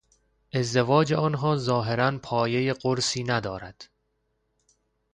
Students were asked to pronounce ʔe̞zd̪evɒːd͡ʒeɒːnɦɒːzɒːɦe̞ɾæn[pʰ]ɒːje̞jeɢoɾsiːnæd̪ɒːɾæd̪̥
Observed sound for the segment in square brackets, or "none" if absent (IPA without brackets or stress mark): pʰ